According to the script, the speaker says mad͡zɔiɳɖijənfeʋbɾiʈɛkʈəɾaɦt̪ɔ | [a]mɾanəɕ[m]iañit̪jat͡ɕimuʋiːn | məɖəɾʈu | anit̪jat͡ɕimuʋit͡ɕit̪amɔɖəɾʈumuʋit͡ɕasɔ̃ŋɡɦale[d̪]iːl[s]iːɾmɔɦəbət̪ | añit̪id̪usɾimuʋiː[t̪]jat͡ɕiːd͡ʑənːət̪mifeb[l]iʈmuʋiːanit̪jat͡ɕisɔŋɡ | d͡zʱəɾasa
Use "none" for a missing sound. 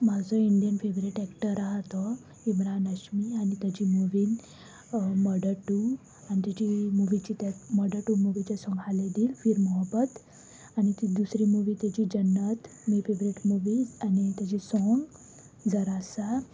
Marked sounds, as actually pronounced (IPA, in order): i, m, d̪, f, t̪, ɾ

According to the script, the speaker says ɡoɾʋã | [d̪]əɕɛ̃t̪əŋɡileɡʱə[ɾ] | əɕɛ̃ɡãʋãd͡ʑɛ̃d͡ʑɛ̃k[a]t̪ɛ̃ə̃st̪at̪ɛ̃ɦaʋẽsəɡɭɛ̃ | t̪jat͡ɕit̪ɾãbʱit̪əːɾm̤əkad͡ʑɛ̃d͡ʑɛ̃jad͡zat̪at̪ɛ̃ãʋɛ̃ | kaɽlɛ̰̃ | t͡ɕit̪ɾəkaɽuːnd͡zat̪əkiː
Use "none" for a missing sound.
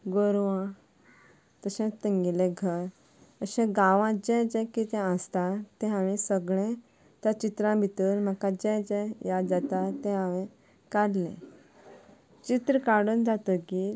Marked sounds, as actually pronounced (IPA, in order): t̪, ɾ, i

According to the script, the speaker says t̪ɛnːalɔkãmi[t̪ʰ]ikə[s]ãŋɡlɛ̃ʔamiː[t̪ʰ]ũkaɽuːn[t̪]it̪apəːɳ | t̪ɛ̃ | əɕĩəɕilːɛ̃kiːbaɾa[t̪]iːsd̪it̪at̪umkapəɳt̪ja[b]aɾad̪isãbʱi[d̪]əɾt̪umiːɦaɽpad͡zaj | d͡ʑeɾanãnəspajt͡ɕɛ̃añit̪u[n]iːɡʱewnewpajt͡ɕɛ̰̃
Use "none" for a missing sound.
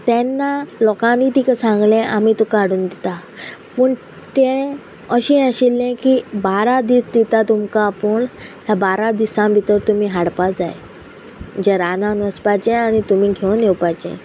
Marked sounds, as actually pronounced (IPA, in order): t̪, s, t̪, d̪, d̪, b, t̪, m

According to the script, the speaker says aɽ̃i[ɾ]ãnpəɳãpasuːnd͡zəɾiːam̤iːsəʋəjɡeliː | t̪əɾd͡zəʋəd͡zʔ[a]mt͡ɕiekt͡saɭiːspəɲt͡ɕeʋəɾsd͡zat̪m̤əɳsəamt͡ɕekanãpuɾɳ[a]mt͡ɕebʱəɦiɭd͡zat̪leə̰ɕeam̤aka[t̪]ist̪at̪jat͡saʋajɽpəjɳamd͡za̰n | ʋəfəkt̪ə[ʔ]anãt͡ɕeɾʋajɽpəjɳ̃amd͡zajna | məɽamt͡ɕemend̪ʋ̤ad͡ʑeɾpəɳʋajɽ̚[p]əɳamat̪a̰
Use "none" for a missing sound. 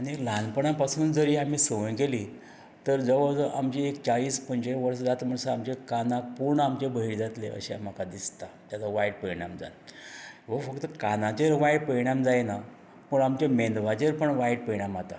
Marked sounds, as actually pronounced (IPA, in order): l, a, a, d̪, k, p

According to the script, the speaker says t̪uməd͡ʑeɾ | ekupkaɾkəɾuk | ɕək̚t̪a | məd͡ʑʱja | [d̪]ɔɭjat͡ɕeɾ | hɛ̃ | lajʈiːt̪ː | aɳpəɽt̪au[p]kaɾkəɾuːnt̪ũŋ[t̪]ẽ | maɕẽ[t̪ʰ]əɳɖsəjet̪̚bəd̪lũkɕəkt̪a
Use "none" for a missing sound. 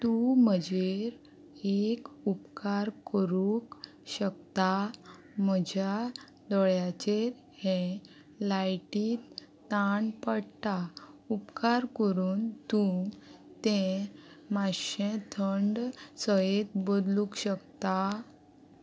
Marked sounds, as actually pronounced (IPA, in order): d̪, p, t̪, t̪ʰ

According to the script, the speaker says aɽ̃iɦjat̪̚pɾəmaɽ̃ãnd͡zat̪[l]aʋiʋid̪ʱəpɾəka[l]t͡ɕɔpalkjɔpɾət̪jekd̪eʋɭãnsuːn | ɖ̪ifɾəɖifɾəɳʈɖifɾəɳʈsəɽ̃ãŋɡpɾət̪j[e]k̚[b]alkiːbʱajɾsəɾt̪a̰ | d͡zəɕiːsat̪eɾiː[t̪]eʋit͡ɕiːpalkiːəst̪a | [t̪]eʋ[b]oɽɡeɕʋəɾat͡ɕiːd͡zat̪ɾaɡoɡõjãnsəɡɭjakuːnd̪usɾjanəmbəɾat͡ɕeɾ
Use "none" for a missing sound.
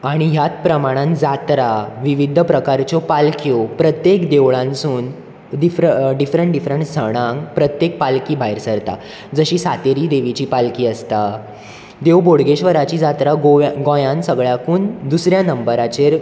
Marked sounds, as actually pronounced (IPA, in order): ɾ, ɾ, e, p, d̪, d̪, b

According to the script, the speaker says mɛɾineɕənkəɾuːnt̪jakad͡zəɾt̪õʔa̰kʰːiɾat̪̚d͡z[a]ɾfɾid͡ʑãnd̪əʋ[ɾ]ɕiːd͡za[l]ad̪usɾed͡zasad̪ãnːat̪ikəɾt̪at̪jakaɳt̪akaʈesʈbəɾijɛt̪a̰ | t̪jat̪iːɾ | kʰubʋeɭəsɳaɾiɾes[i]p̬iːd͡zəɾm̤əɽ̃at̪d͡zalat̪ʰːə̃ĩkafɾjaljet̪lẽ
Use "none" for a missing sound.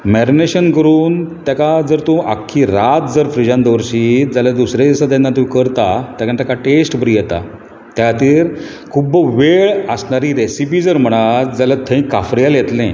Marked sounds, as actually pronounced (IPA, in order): ə, ɾ, l, i

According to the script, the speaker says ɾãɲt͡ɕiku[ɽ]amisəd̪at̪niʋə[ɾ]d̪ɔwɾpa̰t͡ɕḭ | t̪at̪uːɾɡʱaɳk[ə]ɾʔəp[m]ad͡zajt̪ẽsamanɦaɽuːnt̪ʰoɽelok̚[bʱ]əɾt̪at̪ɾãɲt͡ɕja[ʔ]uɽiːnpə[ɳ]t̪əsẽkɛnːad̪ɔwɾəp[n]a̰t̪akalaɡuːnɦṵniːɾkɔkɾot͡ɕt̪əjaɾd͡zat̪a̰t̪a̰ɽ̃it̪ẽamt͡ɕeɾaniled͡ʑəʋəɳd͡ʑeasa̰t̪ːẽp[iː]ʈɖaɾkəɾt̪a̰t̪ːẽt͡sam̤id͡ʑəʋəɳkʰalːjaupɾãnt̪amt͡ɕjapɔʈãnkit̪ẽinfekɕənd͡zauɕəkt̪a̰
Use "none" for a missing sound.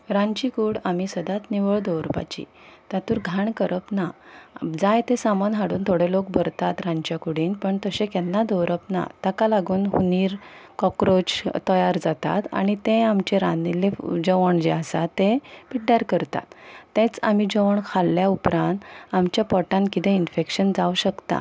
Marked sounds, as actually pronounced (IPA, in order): ɽ, ɭ, ə, n, bʱ, k, ɳ, n, i

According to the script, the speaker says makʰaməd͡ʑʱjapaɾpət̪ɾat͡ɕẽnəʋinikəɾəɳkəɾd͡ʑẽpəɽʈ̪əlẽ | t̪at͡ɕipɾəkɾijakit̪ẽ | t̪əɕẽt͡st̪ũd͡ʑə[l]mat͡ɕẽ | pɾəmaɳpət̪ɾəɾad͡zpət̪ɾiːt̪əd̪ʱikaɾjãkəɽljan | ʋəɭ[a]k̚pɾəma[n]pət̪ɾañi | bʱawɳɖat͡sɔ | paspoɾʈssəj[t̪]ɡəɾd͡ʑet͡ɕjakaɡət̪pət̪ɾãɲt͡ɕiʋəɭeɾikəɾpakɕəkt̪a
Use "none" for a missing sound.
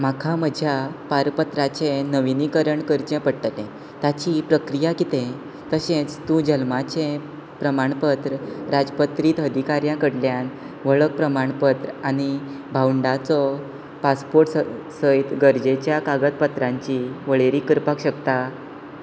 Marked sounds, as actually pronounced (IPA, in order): l, ə, ɳ, t̪

